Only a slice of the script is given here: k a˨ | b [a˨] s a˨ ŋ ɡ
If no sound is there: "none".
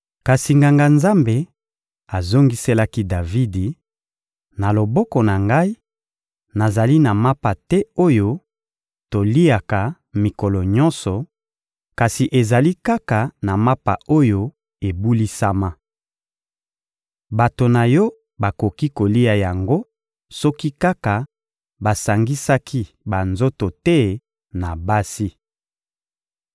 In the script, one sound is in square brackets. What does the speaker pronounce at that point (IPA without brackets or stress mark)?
a˨